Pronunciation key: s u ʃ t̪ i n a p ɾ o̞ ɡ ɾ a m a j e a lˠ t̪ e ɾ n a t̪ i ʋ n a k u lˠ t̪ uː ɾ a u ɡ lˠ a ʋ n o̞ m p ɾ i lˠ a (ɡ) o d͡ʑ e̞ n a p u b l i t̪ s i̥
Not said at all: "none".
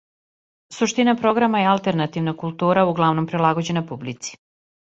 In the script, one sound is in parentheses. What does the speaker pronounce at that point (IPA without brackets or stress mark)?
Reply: ɡ